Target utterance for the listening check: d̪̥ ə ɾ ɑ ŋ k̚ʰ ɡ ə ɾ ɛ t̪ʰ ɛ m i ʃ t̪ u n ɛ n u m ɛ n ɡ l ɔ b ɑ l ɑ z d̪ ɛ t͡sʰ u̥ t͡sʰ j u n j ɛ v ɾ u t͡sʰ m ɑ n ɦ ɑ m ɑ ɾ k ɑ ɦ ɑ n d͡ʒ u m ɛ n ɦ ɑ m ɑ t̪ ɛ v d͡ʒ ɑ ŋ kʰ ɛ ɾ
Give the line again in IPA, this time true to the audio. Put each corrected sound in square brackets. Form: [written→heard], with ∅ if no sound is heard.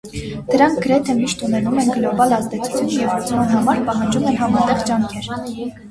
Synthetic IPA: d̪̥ ə ɾ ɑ ŋ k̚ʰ ɡ ə ɾ ɛ t̪ʰ ɛ m i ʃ t̪ u n ɛ n u m ɛ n ɡ l ɔ b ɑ l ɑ z d̪ ɛ t͡sʰ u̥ t͡sʰ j u n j ɛ v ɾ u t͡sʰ m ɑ n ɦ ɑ m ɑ ɾ [k→p] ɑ ɦ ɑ n d͡ʒ u m ɛ n ɦ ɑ m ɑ t̪ ɛ [v→ʁ] d͡ʒ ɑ ŋ kʰ ɛ ɾ